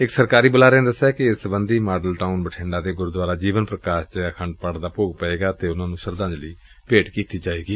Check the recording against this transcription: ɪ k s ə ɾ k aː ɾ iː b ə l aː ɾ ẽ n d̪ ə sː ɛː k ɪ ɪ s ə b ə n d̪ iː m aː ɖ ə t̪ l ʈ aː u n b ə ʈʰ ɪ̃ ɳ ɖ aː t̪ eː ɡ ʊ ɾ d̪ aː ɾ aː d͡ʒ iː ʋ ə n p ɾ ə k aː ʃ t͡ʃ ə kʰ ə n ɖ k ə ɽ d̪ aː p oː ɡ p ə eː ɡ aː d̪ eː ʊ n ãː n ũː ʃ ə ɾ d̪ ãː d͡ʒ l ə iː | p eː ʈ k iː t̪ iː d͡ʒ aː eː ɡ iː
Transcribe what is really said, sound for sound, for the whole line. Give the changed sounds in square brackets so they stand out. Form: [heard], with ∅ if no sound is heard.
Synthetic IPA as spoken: ɪ k s ə ɾ k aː ɾ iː b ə l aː ɾ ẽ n d̪ ə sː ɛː k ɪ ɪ s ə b ə n d̪ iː m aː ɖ ə [∅] l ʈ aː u n b ə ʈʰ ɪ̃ ɳ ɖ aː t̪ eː ɡ ʊ ɾ d̪ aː ɾ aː d͡ʒ iː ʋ ə n p ɾ ə k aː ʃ t͡ʃ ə kʰ ə [ɳ] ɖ [p] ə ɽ d̪ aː p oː ɡ p ə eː ɡ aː [t̪] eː ʊ n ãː n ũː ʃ ə ɾ d̪ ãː d͡ʒ l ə iː | p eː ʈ k iː t̪ iː d͡ʒ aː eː ɡ iː